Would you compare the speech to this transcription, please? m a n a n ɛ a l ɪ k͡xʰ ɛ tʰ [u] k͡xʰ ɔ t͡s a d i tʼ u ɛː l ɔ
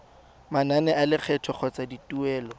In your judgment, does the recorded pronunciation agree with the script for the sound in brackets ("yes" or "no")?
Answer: no